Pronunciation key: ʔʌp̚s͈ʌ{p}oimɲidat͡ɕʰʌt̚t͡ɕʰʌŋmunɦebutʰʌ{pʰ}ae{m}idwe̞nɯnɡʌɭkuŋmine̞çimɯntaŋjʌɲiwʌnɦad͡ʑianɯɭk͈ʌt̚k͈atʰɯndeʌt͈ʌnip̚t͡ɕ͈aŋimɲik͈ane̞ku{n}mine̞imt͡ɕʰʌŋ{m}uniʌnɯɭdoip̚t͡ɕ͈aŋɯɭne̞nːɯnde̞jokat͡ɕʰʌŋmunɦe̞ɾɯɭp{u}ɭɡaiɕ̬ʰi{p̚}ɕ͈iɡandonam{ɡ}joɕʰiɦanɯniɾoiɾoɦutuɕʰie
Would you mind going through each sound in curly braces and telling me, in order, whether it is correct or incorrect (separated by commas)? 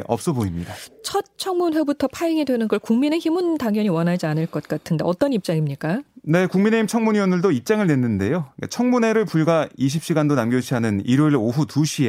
incorrect, correct, incorrect, incorrect, correct, correct, correct, correct